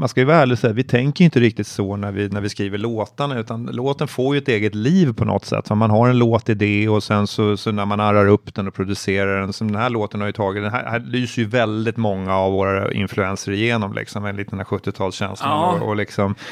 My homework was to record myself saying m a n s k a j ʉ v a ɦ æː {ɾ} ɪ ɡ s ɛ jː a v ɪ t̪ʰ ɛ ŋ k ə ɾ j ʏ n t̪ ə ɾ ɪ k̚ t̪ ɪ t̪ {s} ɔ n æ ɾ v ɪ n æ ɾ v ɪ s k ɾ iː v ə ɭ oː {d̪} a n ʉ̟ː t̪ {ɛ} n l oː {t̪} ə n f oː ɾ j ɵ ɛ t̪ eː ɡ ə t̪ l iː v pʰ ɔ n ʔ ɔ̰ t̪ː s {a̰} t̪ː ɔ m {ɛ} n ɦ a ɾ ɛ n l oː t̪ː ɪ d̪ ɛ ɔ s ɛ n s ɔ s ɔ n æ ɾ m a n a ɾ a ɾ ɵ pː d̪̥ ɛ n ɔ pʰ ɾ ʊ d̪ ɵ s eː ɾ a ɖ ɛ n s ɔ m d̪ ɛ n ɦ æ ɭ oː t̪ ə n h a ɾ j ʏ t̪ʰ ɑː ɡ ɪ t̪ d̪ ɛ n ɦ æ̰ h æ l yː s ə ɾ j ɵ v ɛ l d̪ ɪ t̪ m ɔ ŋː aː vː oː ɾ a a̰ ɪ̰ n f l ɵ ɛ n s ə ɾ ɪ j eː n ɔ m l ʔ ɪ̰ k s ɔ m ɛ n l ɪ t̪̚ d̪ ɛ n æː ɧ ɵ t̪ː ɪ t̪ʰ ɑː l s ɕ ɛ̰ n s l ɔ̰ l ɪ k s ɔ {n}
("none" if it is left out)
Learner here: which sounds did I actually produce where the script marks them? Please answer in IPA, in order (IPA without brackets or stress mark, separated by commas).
ɭ, s, t̪, a, t̪, ɛ̰, a, m